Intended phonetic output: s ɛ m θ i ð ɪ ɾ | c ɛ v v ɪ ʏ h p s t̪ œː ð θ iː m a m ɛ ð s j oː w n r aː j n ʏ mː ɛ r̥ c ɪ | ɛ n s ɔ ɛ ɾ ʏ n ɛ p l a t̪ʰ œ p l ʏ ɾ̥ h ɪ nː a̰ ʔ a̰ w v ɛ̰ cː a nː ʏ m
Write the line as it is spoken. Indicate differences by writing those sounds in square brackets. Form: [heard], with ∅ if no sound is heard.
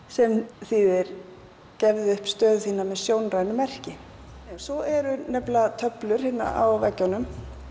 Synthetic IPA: s ɛ m θ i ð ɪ ɾ | c ɛ v [ð] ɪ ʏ h p s t̪ œː ð θ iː [n] a m ɛ ð s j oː w n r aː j n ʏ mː ɛ r̥ c ɪ | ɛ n s ɔ ɛ ɾ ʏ n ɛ p l a t̪ʰ œ p l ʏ ɾ̥ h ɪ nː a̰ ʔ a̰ w v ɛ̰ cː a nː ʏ m